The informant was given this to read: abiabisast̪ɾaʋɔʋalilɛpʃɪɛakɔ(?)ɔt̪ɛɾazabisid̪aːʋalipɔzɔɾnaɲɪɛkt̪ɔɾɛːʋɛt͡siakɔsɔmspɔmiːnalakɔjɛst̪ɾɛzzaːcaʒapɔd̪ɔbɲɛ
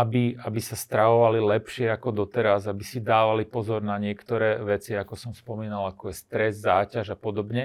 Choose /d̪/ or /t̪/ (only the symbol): d̪